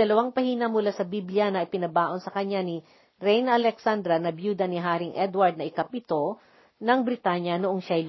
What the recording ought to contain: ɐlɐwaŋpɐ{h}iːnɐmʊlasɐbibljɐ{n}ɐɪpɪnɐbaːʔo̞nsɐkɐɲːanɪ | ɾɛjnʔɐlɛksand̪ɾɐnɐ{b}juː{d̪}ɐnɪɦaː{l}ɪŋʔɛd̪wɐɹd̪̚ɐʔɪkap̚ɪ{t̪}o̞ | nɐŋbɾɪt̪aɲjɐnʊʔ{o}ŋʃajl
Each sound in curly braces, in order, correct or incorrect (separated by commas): correct, correct, correct, correct, incorrect, correct, correct